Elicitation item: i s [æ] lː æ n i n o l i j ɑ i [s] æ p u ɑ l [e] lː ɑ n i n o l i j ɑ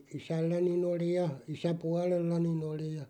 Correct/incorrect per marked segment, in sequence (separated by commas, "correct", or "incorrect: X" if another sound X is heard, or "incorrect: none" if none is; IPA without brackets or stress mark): correct, correct, correct